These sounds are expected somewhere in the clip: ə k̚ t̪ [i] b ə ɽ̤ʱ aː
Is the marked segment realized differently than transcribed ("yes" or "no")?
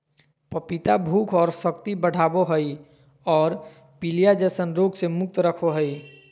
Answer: no